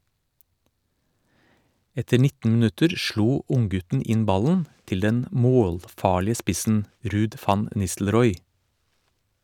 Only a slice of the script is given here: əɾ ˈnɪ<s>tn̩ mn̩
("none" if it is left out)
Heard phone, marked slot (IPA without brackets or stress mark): none